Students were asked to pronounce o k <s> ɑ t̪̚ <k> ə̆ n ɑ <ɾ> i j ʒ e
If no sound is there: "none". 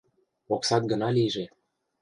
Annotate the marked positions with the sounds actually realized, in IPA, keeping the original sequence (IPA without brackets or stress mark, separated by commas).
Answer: s, ɡ, l